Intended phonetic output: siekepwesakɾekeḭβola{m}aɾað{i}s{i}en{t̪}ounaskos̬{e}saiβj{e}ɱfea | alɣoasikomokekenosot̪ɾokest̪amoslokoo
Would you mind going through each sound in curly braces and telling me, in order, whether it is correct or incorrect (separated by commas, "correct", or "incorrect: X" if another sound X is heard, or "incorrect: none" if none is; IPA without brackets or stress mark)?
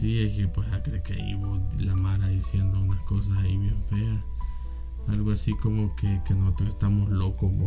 correct, correct, incorrect: j, incorrect: d̪, incorrect: a, correct